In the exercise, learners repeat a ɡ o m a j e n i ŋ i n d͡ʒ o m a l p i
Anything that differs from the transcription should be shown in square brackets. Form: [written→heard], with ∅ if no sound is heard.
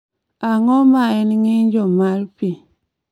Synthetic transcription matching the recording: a [ɡ→ŋ] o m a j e n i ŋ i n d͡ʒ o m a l p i

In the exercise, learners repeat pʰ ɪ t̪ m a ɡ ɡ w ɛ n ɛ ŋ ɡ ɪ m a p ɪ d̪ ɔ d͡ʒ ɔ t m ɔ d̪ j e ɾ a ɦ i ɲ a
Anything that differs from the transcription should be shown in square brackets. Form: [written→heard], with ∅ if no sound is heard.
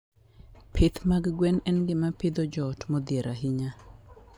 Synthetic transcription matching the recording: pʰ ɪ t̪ m a ɡ ɡ w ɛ n ɛ [ŋ→n] ɡ ɪ m a p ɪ d̪ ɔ d͡ʒ ɔ t m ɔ d̪ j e ɾ a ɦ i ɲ a

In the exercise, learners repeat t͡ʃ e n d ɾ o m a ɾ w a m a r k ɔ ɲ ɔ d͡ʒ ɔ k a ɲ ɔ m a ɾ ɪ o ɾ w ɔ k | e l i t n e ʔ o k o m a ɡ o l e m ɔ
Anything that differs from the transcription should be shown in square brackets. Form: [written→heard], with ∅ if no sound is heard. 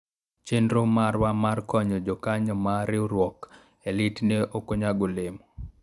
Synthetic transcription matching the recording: t͡ʃ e n d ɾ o m a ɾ w a m a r k ɔ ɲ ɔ d͡ʒ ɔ k a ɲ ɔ m a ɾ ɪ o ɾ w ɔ k | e l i t n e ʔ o k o [m→ɲ] a ɡ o l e m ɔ

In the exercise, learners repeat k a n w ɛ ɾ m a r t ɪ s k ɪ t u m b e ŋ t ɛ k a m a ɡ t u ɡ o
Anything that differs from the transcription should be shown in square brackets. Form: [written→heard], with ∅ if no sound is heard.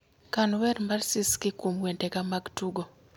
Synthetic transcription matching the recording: k a n w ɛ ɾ m a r [t→s] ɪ s k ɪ [t→k] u m [b→w] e [ŋ→n] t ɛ k a m a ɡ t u ɡ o

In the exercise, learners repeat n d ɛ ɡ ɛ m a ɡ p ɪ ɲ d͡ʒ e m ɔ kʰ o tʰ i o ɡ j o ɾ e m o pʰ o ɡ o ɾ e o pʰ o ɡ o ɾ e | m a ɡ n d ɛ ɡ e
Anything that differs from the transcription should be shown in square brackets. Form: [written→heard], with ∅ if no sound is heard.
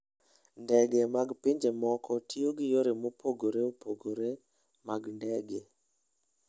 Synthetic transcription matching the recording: n d ɛ ɡ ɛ m a ɡ p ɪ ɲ d͡ʒ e m ɔ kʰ [o→ɔ] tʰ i o ɡ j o ɾ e m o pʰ o ɡ o ɾ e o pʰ o ɡ o ɾ e | m a ɡ n d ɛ ɡ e

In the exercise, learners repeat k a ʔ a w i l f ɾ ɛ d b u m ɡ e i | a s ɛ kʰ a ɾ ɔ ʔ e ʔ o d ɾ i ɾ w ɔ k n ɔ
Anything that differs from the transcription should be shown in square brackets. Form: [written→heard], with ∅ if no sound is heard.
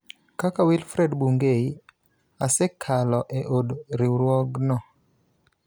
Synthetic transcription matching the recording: k a [ʔ→k] a w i l f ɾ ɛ d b u [m→ŋ] ɡ e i | a s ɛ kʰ a [ɾ→l] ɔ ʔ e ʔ o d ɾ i ɾ w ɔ [k→ɡ] n ɔ

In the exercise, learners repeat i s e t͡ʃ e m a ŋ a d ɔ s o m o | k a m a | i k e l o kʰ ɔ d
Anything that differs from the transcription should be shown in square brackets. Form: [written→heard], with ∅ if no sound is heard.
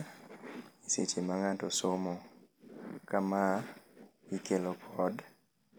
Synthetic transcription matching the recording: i s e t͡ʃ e m a ŋ a [d→t] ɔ s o m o | k a m a | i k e l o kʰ ɔ d

